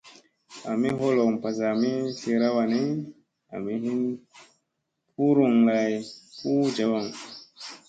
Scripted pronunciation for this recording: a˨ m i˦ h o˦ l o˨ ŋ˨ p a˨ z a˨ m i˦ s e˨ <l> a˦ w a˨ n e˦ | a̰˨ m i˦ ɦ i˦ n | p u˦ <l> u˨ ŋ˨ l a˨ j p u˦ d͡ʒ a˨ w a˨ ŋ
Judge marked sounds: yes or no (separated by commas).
no, no